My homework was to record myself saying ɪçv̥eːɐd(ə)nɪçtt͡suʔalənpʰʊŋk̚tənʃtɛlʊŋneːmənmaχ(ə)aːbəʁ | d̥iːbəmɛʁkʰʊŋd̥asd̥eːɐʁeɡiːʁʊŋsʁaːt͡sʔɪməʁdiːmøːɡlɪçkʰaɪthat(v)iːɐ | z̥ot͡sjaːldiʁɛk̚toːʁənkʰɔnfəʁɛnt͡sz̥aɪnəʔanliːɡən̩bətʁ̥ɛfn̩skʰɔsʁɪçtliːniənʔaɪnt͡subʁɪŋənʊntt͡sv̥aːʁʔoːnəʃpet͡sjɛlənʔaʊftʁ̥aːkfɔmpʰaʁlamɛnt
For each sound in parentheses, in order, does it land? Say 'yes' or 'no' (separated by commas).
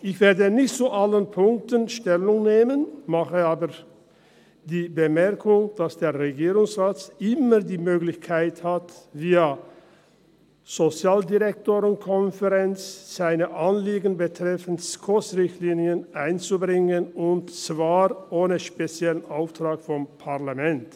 yes, yes, yes